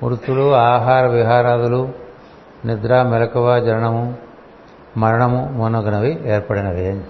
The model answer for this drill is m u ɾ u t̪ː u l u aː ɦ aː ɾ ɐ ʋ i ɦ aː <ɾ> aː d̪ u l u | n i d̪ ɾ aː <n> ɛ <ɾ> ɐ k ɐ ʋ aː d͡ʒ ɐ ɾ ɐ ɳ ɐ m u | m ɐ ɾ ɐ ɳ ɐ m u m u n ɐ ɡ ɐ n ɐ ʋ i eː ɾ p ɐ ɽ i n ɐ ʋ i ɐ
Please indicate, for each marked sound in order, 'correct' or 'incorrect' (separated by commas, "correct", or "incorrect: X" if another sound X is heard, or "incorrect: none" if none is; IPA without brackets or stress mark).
correct, incorrect: m, incorrect: l